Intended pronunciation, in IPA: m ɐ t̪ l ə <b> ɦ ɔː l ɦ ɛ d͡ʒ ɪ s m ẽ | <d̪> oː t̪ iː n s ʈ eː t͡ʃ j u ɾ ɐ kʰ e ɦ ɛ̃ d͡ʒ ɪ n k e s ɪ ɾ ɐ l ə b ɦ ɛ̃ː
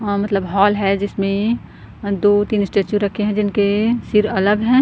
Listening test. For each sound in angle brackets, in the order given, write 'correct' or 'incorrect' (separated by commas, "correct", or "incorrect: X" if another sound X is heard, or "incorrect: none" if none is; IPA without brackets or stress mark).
correct, correct